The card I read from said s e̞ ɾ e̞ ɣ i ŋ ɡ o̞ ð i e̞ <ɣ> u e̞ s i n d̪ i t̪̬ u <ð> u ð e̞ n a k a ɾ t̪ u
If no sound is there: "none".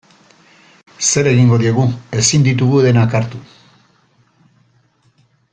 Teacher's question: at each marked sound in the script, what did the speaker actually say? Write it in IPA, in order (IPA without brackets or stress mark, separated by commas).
ɣ, ɣ